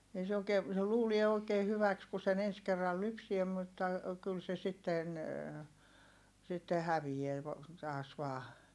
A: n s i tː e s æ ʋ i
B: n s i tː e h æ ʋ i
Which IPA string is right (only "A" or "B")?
B